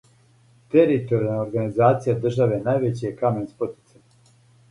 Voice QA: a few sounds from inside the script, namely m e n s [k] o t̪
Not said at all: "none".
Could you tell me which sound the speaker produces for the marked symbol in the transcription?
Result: p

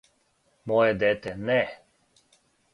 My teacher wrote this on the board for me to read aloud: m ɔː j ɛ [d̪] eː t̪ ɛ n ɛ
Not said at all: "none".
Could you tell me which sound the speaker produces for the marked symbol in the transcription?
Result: d̪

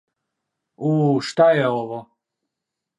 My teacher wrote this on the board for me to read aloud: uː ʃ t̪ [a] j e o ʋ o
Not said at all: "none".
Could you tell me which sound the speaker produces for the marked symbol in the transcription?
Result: a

